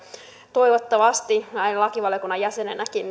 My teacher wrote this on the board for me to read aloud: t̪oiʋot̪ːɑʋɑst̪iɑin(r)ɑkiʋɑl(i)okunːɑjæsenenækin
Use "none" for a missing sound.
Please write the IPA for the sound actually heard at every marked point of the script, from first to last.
l, j

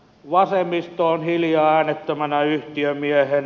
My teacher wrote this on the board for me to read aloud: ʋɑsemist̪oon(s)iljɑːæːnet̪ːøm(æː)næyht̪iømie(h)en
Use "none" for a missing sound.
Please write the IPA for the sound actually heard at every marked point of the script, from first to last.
h, æ, h

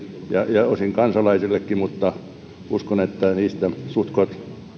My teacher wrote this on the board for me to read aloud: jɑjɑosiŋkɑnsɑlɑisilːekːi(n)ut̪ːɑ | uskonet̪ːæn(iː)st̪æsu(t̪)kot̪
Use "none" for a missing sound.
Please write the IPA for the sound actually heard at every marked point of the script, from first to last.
m, iː, t̪

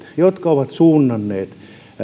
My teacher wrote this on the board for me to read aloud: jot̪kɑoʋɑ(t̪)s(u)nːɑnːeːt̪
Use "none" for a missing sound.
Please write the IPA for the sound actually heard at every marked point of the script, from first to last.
t̪, uː

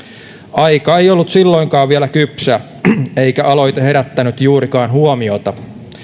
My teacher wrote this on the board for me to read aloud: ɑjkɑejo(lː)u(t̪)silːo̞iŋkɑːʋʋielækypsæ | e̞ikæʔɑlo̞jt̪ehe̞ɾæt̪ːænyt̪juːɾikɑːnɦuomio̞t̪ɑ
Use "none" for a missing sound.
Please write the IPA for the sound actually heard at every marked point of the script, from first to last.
lː, t̪

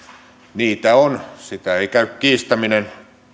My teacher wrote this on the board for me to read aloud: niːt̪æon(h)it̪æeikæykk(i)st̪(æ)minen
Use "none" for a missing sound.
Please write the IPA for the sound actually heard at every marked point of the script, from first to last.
s, iː, æ

